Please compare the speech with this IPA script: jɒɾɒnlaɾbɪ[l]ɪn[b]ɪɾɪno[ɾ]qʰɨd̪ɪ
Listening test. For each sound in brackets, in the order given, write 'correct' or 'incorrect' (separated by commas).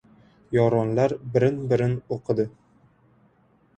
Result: incorrect, correct, incorrect